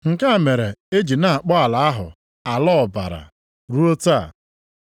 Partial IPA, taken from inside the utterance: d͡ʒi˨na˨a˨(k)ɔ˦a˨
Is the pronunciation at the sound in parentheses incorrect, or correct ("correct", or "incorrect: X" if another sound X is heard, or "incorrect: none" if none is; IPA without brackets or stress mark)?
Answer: incorrect: k͡p